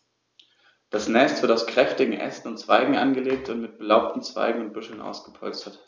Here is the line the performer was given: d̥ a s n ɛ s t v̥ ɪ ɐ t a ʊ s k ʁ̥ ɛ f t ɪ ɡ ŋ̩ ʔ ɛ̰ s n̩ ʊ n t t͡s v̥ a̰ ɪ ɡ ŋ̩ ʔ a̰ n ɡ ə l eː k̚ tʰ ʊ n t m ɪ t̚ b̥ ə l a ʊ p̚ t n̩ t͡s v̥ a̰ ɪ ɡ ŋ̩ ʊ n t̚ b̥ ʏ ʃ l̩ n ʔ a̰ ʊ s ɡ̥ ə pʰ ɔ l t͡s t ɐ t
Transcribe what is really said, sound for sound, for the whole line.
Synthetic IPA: d̥ a s n ɛ s t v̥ ɪ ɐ t a ʊ s k ʁ̥ ɛ f t ɪ ɡ ŋ̩ ʔ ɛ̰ s n̩ ʊ n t t͡s v̥ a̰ ɪ ɡ ŋ̩ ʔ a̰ n ɡ ə l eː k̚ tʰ ʊ n t m ɪ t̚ b̥ ə l a ʊ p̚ t n̩ t͡s v̥ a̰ ɪ ɡ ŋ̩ ʊ n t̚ b̥ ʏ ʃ l̩ n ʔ a̰ ʊ s ɡ̥ ə pʰ ɔ l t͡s t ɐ t